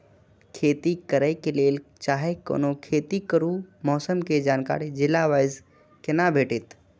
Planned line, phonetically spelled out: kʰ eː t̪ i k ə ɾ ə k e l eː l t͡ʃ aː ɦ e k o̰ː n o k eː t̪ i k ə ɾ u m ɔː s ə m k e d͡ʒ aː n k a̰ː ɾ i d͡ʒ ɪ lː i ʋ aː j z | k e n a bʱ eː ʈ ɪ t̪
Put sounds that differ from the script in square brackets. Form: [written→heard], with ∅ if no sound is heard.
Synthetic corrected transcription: kʰ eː t̪ i k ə ɾ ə k e l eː l t͡ʃ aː ɦ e k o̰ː n o [k→kʰ] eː t̪ i k ə ɾ u m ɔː s ə m k e d͡ʒ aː n k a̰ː ɾ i d͡ʒ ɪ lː [i→a] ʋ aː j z | k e n a bʱ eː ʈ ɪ t̪